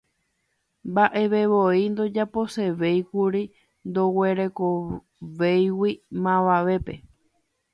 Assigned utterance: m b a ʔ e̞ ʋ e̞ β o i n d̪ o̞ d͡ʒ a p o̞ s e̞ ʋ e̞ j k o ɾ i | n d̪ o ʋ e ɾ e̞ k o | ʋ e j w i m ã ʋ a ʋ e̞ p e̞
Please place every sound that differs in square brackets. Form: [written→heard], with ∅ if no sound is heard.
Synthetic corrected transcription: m b a ʔ e̞ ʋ e̞ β o i n d̪ o̞ d͡ʒ a p o̞ s e̞ ʋ e̞ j k [o→u] ɾ i | n d̪ o [ʋ→w] e ɾ e̞ k o | ʋ e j w i m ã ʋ a ʋ e̞ p e̞